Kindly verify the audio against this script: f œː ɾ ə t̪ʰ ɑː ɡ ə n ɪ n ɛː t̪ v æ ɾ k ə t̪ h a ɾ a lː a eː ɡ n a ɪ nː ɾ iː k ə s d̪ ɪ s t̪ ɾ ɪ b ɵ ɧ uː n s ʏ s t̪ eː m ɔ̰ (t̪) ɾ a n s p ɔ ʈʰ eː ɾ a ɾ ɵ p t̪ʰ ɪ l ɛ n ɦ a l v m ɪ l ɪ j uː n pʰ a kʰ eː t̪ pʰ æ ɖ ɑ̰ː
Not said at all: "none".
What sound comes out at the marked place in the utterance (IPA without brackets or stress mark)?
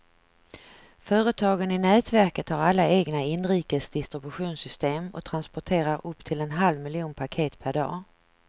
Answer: t̪ʰ